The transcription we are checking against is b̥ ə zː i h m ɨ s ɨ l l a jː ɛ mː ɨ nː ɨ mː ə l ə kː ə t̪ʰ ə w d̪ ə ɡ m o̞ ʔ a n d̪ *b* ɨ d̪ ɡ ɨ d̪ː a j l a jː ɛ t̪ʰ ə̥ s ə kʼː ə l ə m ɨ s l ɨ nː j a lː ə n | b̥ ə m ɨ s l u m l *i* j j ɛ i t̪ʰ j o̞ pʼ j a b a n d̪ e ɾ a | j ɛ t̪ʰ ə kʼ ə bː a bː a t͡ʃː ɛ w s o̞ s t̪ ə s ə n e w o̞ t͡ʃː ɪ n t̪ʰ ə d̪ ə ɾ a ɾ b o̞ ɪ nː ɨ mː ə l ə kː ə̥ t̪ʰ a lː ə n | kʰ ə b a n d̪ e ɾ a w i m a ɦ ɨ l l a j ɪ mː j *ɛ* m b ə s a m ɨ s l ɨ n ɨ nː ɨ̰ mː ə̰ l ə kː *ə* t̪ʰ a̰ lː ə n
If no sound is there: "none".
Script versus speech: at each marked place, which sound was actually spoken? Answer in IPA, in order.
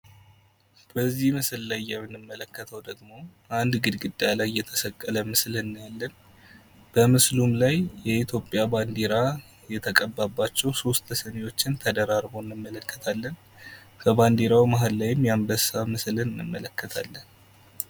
ɡ, a, a, ə

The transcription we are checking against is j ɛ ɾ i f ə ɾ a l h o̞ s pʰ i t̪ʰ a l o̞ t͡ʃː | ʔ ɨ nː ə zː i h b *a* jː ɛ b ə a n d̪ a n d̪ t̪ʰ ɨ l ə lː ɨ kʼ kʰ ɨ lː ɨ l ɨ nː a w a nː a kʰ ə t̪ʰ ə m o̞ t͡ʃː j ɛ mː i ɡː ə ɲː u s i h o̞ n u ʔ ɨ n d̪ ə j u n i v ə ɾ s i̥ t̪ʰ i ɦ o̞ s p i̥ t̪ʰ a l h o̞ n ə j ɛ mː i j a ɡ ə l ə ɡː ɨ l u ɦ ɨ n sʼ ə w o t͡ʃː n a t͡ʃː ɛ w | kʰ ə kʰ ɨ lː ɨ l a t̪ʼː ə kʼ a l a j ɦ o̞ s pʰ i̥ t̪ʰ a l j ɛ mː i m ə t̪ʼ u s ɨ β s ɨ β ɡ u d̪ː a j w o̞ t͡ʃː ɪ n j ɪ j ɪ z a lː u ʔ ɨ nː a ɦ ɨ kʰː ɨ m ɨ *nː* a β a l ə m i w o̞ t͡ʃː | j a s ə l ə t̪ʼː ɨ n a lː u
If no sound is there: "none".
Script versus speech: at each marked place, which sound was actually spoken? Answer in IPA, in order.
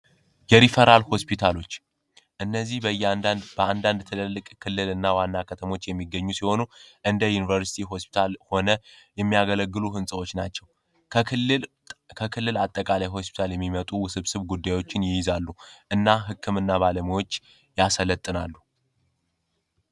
ə, nː

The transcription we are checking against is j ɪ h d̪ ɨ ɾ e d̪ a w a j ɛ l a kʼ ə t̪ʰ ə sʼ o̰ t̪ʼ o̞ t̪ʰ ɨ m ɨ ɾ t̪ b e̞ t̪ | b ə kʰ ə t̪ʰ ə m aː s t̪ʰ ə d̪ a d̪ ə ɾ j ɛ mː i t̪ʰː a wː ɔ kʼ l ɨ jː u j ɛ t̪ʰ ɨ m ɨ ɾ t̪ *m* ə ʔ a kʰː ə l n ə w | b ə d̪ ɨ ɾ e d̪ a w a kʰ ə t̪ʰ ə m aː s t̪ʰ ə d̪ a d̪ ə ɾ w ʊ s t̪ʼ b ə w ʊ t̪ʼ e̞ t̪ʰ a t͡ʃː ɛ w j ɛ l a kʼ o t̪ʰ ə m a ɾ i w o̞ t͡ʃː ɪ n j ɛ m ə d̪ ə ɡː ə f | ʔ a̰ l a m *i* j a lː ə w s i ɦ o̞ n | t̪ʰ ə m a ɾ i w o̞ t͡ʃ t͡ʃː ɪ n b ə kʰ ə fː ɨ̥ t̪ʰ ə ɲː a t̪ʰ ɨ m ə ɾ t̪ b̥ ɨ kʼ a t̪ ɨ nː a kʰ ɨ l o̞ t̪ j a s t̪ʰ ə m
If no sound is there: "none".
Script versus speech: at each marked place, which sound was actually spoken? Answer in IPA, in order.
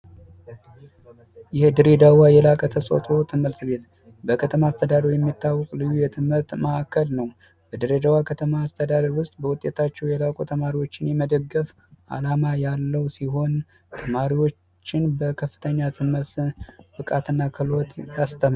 m, a

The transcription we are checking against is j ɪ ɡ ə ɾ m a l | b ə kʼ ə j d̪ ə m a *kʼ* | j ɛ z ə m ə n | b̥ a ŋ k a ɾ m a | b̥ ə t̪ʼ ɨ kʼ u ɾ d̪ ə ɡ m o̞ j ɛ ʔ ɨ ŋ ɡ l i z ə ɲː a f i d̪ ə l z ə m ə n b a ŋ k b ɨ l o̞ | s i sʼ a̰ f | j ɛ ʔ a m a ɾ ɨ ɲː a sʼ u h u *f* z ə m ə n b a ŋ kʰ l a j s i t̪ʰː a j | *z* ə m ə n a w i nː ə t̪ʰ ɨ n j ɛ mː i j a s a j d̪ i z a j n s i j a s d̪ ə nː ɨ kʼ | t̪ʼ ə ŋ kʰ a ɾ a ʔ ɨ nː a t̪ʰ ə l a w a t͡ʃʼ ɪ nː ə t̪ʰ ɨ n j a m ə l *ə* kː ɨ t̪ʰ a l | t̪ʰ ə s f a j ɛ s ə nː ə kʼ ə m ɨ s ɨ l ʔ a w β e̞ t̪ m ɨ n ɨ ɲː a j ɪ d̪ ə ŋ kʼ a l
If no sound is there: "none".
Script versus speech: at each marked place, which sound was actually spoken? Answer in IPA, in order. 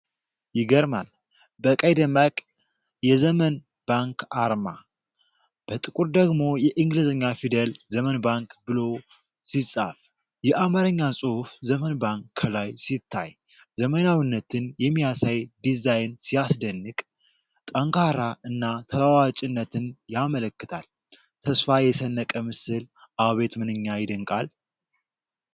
kʼ, f, z, ə

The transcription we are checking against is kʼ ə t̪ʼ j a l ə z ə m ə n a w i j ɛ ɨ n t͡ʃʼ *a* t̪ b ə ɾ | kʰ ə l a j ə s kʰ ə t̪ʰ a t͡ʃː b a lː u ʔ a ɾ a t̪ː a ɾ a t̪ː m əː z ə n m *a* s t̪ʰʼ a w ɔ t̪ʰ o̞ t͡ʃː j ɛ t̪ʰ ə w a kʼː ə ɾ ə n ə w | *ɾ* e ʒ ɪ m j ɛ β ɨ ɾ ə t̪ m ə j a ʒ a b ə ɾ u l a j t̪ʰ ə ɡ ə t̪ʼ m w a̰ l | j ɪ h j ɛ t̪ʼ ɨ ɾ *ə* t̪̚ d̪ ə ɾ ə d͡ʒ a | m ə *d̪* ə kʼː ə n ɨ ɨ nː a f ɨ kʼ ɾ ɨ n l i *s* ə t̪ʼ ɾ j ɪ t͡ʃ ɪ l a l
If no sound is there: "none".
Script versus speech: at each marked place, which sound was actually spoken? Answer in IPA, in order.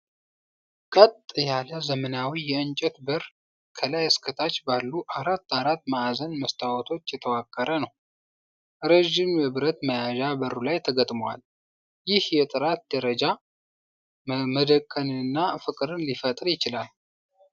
ɛ, ə, ɾ, a, d̪, f

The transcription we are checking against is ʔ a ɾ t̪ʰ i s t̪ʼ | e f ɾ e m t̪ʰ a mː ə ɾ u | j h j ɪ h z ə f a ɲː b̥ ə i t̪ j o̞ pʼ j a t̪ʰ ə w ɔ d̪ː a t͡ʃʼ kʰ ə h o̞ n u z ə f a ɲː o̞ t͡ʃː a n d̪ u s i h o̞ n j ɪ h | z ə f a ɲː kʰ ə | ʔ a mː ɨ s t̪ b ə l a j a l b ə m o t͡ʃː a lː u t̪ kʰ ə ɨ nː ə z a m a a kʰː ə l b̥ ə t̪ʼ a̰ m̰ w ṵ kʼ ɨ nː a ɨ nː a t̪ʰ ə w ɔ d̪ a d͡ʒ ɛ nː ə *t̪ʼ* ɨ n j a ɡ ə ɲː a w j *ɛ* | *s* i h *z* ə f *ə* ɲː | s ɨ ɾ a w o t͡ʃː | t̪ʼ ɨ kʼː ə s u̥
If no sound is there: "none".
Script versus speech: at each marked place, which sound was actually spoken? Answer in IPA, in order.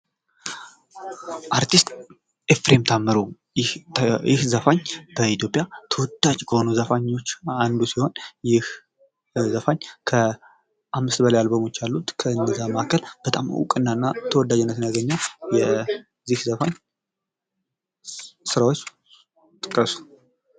t̪, ɛ, z, z, a

